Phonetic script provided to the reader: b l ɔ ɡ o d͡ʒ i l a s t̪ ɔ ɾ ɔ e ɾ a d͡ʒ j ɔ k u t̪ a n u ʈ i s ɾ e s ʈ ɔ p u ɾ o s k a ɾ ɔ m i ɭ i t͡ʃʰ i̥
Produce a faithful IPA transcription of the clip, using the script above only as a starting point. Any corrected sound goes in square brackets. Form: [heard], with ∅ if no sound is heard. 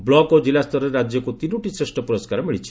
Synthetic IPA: b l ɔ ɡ o d͡ʒ i l a s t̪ ɔ ɾ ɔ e ɾ a d͡ʒ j ɔ k u t̪ [i] n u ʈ i s ɾ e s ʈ ɔ p u ɾ [ɔ] s k a ɾ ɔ m i ɭ i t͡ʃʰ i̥

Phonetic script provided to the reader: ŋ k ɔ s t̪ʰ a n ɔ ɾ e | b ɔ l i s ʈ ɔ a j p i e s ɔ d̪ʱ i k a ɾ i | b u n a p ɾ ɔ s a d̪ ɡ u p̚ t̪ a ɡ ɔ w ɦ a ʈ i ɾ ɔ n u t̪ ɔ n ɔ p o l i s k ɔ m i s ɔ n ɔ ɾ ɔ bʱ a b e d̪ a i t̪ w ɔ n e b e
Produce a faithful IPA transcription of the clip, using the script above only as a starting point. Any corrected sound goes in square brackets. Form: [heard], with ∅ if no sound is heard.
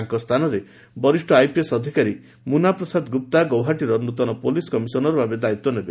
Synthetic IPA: ŋ k ɔ s t̪ʰ a n ɔ ɾ e | b ɔ [ɾ] i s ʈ ɔ a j p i e s ɔ d̪ʱ i k a ɾ i | [m] u n a p ɾ ɔ s a d̪ ɡ u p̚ t̪ a ɡ ɔ w ɦ a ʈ i ɾ ɔ n u t̪ ɔ n ɔ p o l i s k ɔ m i s ɔ n ɔ ɾ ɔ bʱ a b e d̪ a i t̪ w ɔ n e b e

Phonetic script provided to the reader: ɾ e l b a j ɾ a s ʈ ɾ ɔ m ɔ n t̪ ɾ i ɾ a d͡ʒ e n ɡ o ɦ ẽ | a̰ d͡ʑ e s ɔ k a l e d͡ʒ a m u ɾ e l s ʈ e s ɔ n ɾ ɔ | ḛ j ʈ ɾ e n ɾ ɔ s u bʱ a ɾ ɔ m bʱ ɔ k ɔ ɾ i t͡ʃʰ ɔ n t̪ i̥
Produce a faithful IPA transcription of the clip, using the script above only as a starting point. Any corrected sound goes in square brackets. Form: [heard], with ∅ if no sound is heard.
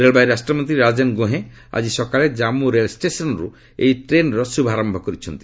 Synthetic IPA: ɾ e l b a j ɾ a s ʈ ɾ ɔ m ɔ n t̪ ɾ i ɾ a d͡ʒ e n ɡ o ɦ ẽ | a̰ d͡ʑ [i] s ɔ k a l e d͡ʒ a m u ɾ e l s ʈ e s ɔ n ɾ [u] | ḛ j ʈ ɾ e n ɾ ɔ s u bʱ a ɾ ɔ m bʱ ɔ k ɔ ɾ i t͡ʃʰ ɔ n t̪ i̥

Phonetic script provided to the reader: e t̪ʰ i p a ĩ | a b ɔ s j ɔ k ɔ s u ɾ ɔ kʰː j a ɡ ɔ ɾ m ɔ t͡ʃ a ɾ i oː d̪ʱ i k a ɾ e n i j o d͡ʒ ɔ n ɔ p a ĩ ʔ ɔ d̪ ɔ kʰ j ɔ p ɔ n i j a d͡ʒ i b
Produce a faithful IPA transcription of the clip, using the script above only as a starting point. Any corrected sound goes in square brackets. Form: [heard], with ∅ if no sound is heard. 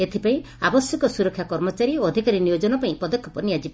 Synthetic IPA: e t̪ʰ i p a ĩ | a b ɔ s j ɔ k ɔ s u ɾ ɔ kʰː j a [k] ɔ ɾ m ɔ t͡ʃ a ɾ i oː d̪ʱ i k a ɾ [i] n i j o d͡ʒ ɔ n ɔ p a ĩ [p] ɔ d̪ ɔ kʰ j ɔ p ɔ n i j a d͡ʒ i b

